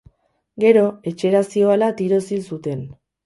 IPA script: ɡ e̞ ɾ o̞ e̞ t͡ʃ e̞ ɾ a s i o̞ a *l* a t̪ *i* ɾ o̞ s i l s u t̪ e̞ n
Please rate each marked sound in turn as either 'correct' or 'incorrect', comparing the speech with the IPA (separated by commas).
correct, correct